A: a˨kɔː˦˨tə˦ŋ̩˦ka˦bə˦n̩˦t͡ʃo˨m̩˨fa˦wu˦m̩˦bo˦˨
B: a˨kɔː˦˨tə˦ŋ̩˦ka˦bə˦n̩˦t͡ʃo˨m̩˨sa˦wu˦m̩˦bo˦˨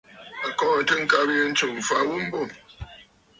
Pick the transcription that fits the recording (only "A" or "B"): A